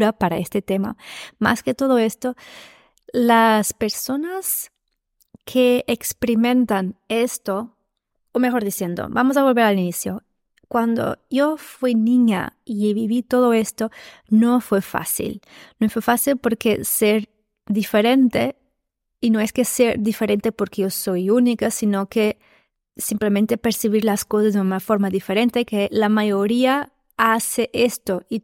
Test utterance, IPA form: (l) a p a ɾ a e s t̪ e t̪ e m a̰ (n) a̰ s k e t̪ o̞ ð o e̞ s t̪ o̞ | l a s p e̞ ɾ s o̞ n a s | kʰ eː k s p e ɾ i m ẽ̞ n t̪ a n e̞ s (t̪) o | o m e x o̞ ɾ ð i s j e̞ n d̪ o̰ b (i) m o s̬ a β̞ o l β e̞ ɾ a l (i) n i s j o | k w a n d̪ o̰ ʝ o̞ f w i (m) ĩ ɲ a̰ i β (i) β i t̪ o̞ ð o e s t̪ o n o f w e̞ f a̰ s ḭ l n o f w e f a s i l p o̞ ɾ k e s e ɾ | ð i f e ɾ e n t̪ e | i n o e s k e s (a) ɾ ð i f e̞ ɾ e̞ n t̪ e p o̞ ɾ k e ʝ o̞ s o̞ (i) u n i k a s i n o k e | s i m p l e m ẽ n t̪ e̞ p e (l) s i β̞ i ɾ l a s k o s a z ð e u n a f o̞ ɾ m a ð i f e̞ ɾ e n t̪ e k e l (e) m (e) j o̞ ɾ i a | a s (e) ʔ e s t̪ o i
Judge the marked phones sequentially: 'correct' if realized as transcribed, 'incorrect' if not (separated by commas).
incorrect, incorrect, correct, incorrect, correct, incorrect, correct, incorrect, incorrect, incorrect, incorrect, incorrect, correct